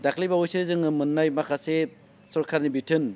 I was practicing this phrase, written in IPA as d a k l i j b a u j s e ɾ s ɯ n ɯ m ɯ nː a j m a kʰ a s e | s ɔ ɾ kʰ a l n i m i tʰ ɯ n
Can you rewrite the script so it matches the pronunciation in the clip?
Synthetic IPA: d a k l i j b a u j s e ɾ z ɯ ŋ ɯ m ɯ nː a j m a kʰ a s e | s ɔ ɾ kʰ a ɾ n i b i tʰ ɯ n